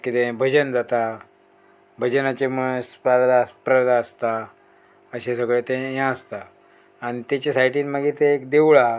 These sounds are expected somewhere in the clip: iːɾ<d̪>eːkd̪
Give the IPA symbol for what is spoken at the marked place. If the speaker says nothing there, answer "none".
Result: t̪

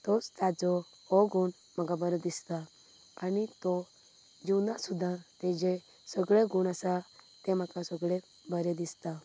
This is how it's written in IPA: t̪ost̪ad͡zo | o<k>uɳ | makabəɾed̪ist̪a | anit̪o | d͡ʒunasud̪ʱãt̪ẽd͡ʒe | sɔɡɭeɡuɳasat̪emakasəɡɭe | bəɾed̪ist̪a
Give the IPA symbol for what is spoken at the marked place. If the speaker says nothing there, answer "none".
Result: ɡ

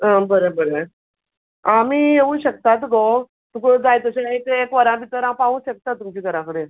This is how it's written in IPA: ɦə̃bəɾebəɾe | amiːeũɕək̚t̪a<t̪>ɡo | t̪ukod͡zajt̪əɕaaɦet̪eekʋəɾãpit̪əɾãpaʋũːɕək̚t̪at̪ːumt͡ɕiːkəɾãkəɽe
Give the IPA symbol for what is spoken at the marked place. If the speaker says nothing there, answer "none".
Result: t̪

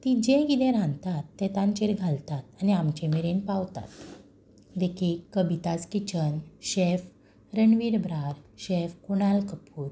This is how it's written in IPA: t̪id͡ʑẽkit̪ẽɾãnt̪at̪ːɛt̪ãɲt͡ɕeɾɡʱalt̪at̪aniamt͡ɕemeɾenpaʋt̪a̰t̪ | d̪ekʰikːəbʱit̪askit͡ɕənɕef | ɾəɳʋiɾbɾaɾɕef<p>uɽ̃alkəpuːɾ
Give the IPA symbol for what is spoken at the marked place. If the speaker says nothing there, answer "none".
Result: k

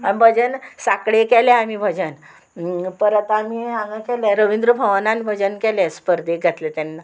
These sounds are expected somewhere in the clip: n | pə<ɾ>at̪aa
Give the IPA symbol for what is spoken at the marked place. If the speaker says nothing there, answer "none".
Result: ɾ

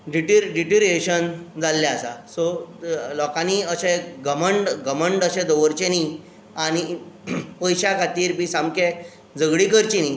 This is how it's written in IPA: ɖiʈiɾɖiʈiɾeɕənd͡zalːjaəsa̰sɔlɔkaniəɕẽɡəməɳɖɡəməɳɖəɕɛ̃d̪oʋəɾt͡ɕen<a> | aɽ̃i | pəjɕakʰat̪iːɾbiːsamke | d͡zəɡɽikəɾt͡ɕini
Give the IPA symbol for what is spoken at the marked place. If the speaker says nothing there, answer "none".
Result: i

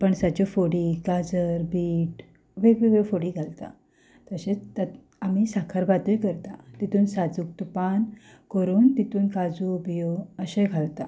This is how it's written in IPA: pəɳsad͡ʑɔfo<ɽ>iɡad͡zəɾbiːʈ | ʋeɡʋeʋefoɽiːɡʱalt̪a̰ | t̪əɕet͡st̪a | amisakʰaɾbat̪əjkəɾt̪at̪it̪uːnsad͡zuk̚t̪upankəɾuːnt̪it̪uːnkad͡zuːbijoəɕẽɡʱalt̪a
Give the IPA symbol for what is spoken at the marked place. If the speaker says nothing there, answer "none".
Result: ɽ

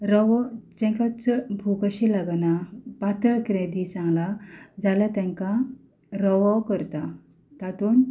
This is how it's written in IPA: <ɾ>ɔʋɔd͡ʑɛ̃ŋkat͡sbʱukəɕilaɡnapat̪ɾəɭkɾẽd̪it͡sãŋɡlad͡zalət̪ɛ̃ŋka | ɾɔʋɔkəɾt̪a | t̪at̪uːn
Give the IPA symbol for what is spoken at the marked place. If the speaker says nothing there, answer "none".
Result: ɾ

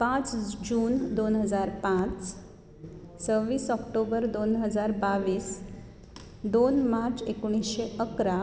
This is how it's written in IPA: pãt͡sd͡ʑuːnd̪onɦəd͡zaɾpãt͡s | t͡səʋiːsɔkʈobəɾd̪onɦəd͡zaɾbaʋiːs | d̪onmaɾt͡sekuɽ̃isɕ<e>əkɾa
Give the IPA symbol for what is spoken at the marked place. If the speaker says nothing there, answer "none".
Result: e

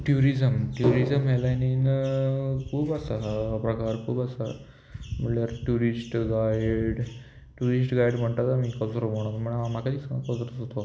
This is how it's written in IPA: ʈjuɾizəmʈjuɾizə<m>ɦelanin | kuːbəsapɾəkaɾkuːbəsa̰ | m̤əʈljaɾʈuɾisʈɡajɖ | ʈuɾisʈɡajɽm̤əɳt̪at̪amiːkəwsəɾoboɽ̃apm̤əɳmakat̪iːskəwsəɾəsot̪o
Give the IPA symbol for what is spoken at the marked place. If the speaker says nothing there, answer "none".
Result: m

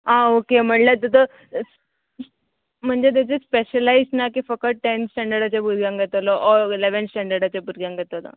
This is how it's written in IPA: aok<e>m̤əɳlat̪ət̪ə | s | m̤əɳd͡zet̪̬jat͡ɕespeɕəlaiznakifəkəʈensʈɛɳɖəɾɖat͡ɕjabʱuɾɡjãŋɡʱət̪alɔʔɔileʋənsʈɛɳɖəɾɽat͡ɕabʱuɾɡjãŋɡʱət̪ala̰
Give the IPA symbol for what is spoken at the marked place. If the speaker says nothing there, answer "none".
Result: e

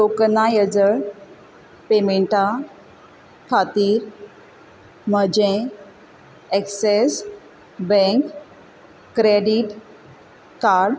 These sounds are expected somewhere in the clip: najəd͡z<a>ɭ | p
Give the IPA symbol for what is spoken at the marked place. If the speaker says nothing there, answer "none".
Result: ə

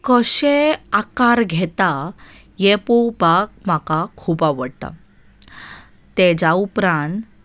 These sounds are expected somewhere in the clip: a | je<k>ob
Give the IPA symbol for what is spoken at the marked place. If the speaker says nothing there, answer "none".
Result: p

